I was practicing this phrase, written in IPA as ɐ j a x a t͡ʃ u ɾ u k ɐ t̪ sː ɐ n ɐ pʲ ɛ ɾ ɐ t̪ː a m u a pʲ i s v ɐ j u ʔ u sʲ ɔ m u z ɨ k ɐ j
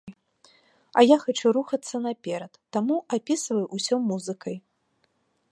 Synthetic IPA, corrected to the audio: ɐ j a x a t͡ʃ u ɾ u x ɐ t̪ sː ɐ n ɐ pʲ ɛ ɾ ɐ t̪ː a m u a pʲ i s v ɐ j u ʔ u sʲ ɔ m u z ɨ k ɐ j